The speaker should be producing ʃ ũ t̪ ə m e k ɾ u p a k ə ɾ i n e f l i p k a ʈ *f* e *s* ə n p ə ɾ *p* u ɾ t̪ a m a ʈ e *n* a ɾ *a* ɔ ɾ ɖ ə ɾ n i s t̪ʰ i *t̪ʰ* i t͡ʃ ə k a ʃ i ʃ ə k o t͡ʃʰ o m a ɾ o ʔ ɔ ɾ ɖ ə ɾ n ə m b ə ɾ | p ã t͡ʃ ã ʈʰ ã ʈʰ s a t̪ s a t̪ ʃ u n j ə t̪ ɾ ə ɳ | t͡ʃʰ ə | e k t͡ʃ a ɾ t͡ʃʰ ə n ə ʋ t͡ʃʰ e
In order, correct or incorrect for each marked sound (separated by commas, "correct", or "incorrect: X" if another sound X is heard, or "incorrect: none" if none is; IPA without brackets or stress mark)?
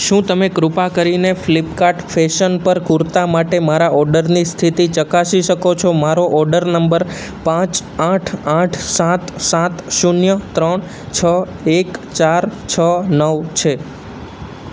correct, incorrect: ʃ, incorrect: k, incorrect: m, correct, incorrect: t̪